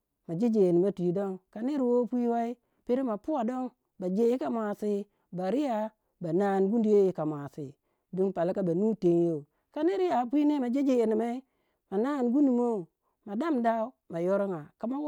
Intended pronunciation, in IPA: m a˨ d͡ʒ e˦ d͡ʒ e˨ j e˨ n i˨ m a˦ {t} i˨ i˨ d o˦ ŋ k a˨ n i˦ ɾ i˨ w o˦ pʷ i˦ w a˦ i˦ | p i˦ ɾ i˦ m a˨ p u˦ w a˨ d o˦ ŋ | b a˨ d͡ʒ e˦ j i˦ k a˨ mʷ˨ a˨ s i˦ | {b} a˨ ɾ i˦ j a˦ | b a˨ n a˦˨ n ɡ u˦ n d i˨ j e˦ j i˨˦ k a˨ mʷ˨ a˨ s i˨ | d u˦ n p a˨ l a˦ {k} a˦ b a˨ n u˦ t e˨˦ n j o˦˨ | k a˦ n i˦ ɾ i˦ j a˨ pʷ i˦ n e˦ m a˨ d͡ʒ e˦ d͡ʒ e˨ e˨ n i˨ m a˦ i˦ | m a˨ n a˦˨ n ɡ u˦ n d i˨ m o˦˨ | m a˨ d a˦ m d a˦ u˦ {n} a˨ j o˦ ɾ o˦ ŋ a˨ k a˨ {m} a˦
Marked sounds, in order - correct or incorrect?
correct, correct, correct, incorrect, correct

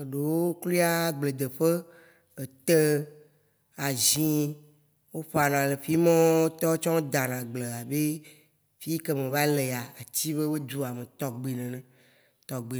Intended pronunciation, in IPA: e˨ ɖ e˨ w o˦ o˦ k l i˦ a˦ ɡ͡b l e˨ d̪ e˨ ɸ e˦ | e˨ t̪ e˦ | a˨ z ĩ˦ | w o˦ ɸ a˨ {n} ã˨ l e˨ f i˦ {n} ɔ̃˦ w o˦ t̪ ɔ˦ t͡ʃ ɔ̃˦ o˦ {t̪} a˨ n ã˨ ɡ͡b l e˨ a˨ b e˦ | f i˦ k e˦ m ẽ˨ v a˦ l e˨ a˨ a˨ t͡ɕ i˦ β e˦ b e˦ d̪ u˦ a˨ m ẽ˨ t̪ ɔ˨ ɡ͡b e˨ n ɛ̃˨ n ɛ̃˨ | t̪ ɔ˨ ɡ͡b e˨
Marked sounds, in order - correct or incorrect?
correct, incorrect, incorrect

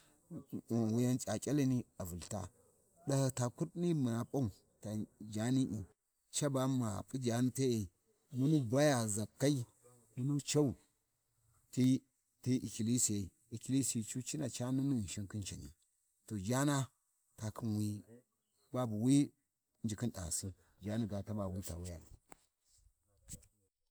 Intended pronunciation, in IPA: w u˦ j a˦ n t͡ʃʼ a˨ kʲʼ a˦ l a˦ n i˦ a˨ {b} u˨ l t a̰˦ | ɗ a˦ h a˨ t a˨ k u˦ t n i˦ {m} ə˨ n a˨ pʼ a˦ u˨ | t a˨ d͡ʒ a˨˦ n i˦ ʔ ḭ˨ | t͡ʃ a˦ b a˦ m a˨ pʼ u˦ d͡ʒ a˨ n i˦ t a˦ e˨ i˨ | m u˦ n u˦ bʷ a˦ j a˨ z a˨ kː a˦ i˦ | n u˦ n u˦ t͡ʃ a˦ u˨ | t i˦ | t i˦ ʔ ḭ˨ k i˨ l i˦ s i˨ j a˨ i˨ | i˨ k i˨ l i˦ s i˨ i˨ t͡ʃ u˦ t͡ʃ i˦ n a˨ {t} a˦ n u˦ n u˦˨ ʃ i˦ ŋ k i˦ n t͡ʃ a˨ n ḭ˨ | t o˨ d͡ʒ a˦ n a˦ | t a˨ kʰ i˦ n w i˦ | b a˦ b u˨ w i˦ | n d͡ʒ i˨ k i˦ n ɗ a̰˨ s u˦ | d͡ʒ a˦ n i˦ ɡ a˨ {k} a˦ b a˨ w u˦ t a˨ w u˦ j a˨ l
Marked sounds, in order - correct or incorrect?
incorrect, correct, incorrect, incorrect

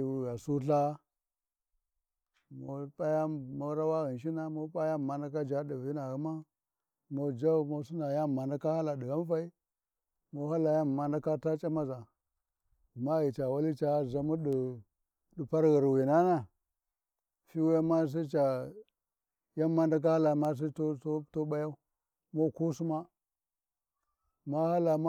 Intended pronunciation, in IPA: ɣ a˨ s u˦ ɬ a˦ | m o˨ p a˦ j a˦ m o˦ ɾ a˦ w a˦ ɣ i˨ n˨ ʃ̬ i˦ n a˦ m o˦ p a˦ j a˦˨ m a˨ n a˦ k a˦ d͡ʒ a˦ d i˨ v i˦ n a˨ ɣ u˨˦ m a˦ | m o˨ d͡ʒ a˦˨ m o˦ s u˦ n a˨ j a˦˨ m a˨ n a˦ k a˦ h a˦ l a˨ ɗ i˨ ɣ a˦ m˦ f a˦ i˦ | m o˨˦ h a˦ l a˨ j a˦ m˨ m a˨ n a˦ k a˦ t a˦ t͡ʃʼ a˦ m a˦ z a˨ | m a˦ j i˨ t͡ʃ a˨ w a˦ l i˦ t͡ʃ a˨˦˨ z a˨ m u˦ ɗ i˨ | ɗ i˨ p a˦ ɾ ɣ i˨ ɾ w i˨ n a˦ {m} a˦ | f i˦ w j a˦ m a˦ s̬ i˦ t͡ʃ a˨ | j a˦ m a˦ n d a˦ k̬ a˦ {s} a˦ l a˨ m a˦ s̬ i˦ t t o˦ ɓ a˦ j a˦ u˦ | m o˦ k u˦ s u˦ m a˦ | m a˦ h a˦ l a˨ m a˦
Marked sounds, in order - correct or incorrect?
incorrect, incorrect

